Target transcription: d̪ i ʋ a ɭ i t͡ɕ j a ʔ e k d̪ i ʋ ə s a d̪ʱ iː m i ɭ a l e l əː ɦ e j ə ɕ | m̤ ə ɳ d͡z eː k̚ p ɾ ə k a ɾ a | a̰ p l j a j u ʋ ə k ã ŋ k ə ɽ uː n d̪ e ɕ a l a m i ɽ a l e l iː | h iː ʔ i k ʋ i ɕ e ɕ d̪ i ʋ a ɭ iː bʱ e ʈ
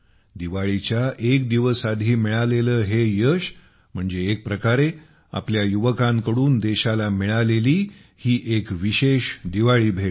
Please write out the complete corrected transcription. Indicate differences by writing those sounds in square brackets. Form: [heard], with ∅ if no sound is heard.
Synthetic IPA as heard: d̪ i ʋ a ɭ i t͡ɕ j a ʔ e k d̪ i ʋ ə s a d̪ʱ iː m i ɭ a l e l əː ɦ e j ə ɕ | m̤ ə ɳ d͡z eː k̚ p ɾ ə k a ɾ [e] | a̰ p l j a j u ʋ ə k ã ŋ k ə ɽ uː n d̪ e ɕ a l a m i [ɭ] a l e l iː | h iː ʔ [e] k ʋ i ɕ e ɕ d̪ i ʋ a ɭ iː bʱ e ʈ

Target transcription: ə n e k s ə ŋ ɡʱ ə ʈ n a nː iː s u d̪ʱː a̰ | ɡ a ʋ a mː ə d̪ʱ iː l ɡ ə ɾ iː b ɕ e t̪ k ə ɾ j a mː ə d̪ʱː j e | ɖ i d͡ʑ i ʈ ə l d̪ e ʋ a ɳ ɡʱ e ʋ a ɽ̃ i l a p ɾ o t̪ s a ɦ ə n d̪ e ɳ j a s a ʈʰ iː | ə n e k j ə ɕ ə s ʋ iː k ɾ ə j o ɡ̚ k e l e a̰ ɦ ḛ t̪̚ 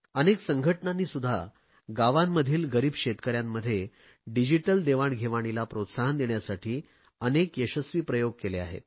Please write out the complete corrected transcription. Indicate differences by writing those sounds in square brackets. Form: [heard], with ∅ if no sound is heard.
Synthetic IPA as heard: ə n e k s ə ŋ ɡʱ ə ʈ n a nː iː s u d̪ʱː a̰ | ɡ a ʋ a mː ə d̪ʱ iː l ɡ ə ɾ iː b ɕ e t̪ k ə ɾ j a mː ə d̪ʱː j e | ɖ i d͡ʑ i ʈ ə l d̪ e ʋ a ɳ ɡʱ e ʋ a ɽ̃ i l a p ɾ o t̪ s a ɦ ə n d̪ e ɳ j a s a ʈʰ iː | ə n e k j ə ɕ ə s ʋ iː [p] ɾ ə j o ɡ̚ k e l e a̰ ɦ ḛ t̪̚

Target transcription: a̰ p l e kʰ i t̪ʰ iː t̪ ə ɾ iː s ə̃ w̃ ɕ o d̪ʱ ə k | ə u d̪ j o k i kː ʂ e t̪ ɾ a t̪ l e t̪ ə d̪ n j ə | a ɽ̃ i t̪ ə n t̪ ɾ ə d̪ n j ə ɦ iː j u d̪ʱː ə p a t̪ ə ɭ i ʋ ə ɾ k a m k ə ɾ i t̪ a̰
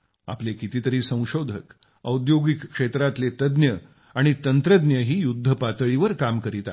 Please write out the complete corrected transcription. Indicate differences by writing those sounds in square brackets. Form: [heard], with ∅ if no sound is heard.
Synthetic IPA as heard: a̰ p l e [k] i [t̪] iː t̪ ə ɾ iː s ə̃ w̃ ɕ o d̪ʱ ə k | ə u d̪ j o [ɡ] i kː ʂ e t̪ ɾ a t̪ l e t̪ ə d̪ n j ə | a ɽ̃ i t̪ ə n t̪ ɾ ə d̪ n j ə ɦ iː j u d̪ʱː ə p a t̪ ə ɭ i ʋ ə ɾ k a m k ə ɾ i t̪ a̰

